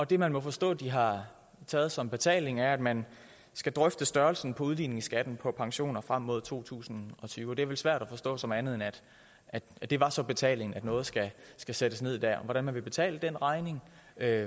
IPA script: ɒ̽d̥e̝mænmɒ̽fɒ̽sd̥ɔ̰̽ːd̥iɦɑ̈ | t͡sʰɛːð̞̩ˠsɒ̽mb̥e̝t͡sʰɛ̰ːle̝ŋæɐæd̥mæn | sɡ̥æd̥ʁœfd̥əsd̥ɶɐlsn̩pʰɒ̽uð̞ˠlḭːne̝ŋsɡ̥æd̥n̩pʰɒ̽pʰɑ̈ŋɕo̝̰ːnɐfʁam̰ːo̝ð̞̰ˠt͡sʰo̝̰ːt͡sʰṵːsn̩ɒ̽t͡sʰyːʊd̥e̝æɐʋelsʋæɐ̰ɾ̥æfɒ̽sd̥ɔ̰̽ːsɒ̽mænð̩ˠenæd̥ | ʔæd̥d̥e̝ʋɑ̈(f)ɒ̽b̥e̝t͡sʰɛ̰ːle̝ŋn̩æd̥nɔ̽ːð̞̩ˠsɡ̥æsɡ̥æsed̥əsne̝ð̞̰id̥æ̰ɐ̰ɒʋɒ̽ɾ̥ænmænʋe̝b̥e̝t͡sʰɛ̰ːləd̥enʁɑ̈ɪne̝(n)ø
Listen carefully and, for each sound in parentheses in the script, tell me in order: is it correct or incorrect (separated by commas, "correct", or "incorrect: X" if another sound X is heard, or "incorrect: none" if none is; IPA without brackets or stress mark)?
incorrect: s, incorrect: ŋ